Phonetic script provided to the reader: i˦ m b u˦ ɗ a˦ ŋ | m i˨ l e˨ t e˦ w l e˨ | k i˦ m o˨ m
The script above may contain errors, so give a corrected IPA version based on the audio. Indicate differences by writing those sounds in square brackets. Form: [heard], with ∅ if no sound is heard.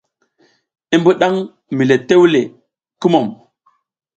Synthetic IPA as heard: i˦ m b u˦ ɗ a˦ ŋ | m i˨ l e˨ t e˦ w l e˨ | k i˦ m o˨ m

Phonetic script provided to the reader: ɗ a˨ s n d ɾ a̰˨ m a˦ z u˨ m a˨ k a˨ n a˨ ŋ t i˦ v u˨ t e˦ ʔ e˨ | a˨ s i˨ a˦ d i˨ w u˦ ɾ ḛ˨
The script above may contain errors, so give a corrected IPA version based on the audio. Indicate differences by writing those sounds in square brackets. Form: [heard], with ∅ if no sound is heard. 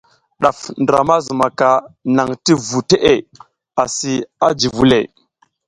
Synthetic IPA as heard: ɗ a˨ [f] n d ɾ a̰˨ m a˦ z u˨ m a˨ k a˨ n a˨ ŋ t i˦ v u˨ t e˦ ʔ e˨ | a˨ s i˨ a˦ [d͡ʒ] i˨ [v] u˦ [l] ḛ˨

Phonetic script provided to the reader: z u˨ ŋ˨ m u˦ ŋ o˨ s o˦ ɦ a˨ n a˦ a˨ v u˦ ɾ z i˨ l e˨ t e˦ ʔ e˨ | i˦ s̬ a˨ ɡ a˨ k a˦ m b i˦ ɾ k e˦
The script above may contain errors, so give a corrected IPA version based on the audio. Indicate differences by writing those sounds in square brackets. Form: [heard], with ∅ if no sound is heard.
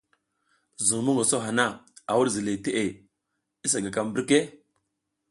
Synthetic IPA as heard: z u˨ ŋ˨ m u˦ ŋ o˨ s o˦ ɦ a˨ n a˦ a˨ [w] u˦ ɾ z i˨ l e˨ t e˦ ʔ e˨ | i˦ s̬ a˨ ɡ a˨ k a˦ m b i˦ ɾ k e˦

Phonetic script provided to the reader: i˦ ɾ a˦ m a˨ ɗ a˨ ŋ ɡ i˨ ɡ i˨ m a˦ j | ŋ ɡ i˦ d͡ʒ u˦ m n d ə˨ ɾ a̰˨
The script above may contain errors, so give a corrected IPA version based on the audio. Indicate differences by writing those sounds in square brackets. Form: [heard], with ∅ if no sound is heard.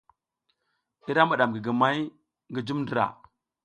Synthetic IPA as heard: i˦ ɾ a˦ m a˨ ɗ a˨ [m] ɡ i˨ ɡ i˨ m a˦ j | ŋ ɡ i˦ d͡ʒ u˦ m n d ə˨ ɾ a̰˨

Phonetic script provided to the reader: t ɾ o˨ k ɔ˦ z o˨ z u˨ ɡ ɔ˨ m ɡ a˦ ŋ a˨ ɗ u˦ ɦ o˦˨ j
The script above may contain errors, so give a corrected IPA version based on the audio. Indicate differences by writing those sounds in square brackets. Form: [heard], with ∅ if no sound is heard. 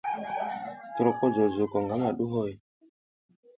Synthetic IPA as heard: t ɾ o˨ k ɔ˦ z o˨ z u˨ [k] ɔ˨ [ŋ] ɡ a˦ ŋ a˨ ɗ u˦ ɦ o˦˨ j

